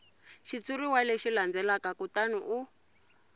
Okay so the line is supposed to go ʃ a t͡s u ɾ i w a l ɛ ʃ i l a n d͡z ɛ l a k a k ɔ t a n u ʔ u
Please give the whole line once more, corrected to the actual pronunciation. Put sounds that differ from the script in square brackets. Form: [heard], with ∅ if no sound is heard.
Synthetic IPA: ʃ [i] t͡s u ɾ i w a l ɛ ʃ i l a n d͡z ɛ l a k a k [u] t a n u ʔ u